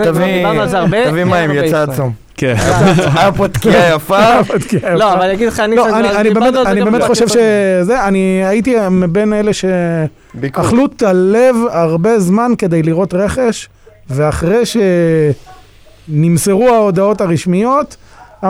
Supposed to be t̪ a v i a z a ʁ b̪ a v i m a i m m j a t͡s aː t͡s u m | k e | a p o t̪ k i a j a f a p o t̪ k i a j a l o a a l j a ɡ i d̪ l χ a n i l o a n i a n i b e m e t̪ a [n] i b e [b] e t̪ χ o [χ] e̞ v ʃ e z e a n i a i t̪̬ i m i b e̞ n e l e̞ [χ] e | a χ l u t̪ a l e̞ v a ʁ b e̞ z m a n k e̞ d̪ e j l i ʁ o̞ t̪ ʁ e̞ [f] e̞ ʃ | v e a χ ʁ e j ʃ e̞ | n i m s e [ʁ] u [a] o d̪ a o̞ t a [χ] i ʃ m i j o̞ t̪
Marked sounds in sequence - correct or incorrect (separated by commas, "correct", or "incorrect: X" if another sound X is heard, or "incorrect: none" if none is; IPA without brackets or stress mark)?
correct, incorrect: m, incorrect: ʃ, incorrect: ʃ, incorrect: χ, correct, correct, incorrect: ʁ